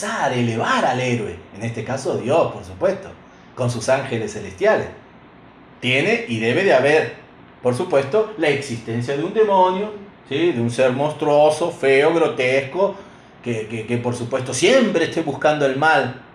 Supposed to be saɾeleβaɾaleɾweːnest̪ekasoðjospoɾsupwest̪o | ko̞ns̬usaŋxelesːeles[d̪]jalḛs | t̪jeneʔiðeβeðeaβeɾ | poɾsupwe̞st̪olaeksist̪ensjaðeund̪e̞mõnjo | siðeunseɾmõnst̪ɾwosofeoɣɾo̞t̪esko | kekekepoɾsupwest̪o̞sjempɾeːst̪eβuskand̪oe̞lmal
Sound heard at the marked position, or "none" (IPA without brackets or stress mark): t̪